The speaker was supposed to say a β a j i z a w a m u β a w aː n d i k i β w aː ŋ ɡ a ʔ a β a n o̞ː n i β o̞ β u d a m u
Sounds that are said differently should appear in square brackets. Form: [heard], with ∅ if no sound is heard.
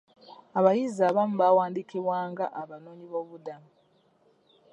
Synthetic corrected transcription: a β a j i z a [β] a m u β a w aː n d i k i β w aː ŋ ɡ a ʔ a β a n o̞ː [ɲ] i β o̞ β u d a m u